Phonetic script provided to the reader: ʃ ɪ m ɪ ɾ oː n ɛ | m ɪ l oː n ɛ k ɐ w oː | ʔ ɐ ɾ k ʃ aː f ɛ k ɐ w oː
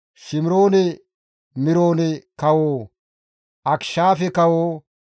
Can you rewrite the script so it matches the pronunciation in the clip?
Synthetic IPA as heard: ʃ ɪ m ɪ ɾ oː n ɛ | m ɪ ɾ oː n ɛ k ɐ w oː | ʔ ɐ k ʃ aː f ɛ k ɐ w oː